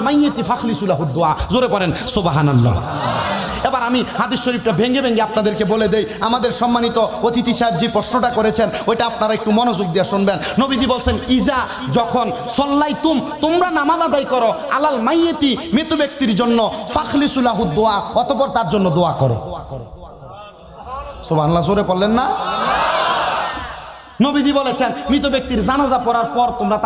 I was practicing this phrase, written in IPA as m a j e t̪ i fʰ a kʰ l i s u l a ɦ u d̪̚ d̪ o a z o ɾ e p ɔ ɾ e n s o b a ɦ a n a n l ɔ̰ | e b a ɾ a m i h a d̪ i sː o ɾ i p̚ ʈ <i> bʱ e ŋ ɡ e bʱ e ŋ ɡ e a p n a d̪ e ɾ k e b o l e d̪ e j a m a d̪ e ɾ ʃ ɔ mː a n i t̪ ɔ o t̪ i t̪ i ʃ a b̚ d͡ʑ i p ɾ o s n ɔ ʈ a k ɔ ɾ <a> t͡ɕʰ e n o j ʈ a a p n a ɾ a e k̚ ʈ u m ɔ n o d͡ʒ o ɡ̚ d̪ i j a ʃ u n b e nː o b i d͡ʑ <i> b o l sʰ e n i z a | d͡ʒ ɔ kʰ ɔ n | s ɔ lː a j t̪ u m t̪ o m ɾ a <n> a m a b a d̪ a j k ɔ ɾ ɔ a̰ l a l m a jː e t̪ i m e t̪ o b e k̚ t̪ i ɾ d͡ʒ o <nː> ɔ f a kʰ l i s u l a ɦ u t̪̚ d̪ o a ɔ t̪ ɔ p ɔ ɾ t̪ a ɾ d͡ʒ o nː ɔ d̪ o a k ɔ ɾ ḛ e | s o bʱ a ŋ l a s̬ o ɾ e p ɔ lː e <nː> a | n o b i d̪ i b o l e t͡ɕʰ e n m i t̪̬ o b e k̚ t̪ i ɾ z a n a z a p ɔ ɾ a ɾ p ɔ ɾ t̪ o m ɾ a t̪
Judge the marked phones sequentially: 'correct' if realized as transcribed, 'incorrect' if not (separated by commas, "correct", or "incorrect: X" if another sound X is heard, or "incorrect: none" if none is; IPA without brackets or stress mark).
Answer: incorrect: a, incorrect: e, correct, correct, correct, correct